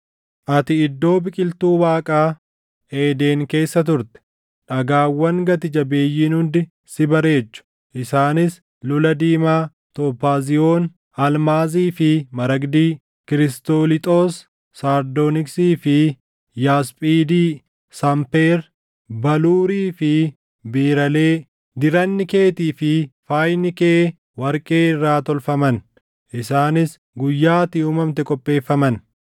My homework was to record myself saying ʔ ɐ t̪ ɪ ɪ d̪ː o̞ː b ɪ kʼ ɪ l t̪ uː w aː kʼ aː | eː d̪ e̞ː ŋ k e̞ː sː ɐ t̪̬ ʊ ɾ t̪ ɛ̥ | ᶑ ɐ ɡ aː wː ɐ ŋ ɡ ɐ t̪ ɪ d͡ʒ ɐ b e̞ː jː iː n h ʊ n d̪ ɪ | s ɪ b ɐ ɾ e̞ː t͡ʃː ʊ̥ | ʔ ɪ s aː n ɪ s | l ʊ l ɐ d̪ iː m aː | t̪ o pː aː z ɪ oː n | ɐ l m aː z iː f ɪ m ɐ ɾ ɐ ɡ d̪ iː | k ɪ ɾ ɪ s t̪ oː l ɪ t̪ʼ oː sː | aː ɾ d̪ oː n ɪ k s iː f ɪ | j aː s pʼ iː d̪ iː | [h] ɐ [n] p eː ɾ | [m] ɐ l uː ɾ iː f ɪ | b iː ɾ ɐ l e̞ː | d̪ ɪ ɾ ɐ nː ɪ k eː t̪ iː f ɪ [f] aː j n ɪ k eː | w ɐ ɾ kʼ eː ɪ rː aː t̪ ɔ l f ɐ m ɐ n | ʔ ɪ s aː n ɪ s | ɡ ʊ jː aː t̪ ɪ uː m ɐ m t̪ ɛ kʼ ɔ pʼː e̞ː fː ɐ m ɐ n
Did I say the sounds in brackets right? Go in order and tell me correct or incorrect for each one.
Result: incorrect: s, incorrect: m, incorrect: b, correct

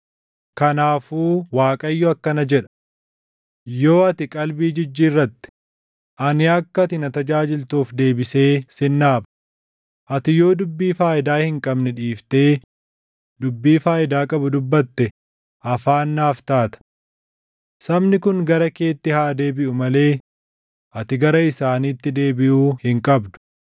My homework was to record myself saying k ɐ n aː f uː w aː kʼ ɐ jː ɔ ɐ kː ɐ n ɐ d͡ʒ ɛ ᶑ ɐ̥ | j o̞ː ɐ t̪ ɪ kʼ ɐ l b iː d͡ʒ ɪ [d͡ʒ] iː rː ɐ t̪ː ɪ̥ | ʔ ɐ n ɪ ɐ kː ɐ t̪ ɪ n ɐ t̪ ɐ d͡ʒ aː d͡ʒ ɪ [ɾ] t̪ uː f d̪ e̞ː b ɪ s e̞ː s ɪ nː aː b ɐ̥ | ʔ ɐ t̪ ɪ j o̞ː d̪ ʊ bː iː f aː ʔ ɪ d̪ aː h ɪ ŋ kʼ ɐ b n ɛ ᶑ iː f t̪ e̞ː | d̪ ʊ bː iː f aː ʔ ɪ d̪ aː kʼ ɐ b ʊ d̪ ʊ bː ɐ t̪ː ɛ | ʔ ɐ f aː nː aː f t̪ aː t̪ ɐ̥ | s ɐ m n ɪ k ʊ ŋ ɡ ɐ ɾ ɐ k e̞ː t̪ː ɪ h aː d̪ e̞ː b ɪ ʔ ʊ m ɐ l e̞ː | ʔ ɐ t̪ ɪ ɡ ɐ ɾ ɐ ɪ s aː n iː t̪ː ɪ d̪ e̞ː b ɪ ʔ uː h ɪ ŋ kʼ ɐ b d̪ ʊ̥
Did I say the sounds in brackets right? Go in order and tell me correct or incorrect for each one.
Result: incorrect: d͡ʒː, incorrect: l

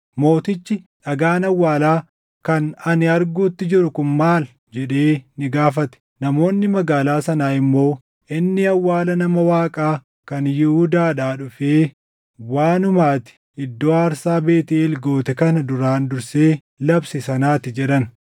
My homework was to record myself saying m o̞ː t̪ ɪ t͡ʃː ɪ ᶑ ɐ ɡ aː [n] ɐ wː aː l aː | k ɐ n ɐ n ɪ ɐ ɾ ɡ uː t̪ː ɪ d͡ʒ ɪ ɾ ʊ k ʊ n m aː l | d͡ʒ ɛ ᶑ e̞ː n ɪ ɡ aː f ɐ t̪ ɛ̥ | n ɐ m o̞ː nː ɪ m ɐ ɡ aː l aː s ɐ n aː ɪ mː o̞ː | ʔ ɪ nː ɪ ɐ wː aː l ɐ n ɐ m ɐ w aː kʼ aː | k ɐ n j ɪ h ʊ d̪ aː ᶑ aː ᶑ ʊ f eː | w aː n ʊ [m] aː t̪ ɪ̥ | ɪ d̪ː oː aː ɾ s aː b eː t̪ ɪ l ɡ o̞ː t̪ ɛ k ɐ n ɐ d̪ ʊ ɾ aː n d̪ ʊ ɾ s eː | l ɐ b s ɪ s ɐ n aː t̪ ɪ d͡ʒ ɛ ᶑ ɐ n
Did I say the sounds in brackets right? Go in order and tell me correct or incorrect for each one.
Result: correct, correct

